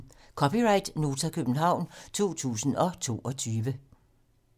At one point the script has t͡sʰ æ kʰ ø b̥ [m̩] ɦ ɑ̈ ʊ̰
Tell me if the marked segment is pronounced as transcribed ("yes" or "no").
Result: no